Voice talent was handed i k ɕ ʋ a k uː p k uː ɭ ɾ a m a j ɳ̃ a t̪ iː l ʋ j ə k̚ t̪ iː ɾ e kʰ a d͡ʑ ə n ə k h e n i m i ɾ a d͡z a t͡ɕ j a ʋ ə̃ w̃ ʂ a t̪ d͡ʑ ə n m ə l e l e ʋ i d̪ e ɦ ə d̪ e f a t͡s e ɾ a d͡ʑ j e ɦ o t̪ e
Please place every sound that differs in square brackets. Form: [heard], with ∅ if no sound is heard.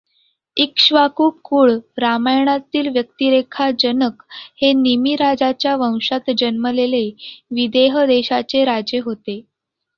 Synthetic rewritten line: i k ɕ ʋ a k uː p k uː ɭ ɾ a m a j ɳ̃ a t̪ iː l ʋ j ə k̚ t̪ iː ɾ e kʰ a d͡ʑ ə n ə k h e n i m i ɾ a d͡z a t͡ɕ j a ʋ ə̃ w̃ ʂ a t̪ d͡ʑ ə n m ə l e l e ʋ i d̪ e ɦ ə d̪ e [ɕ] a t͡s e ɾ a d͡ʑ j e ɦ o t̪ e